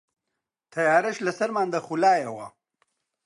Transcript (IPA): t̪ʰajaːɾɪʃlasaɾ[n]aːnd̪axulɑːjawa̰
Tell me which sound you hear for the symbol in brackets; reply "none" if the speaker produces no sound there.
m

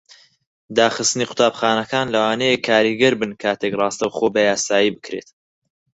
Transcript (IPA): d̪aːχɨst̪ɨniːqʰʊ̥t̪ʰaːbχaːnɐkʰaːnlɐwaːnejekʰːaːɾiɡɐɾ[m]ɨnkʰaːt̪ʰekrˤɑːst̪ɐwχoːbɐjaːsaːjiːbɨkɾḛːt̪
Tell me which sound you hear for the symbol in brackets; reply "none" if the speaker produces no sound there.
b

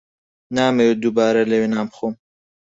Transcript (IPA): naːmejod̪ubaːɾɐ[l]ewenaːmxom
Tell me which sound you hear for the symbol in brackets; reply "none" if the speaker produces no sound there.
l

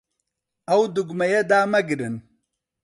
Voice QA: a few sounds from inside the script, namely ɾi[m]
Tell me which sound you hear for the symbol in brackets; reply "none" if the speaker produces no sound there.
n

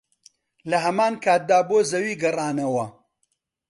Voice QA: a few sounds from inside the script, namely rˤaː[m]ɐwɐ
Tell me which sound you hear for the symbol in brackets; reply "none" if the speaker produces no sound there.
n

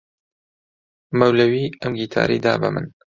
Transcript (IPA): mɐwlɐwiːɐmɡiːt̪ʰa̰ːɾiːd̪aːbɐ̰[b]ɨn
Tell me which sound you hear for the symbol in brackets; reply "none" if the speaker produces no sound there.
m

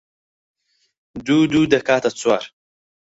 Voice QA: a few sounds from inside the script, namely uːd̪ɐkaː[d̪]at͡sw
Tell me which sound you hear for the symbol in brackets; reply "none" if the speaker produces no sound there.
t̪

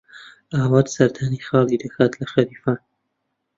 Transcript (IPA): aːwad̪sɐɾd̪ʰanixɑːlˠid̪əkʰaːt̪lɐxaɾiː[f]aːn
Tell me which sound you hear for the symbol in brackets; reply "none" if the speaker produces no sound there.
f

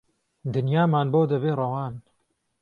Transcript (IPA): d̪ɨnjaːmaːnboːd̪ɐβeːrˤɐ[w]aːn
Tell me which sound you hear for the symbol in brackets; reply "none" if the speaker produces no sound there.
w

